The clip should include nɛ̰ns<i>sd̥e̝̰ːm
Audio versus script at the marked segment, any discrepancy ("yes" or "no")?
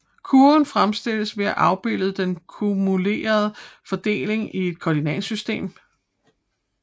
yes